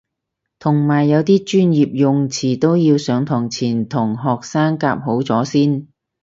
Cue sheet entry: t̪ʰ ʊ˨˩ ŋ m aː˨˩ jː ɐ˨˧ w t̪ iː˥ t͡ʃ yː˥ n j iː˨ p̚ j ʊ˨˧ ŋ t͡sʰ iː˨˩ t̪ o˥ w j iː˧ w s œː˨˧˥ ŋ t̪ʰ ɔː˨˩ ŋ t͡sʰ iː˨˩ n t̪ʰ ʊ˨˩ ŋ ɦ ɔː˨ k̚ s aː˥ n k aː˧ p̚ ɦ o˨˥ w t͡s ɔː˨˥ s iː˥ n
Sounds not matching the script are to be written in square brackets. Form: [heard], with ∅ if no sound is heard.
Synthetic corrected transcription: t̪ʰ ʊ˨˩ ŋ m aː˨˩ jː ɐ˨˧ w t̪ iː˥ t͡ʃ yː˥ n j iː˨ p̚ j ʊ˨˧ ŋ t͡sʰ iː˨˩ t̪ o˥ w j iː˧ w s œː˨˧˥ ŋ t̪ʰ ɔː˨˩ ŋ t͡sʰ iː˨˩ n t̪ʰ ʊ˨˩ ŋ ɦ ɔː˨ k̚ s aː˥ [ŋ] k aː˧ p̚ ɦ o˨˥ w t͡s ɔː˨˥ s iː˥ n